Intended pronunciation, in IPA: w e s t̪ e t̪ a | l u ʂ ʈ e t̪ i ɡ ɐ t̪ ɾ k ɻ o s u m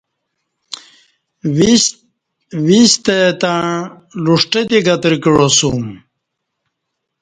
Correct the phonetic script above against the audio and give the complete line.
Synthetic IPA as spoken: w i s t̪ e t̪ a | l u ʂ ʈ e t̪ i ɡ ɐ t̪ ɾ k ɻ o s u m